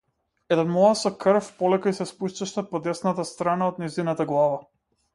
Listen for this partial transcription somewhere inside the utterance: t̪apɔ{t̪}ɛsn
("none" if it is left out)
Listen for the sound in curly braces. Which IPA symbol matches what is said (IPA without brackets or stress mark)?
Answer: d̪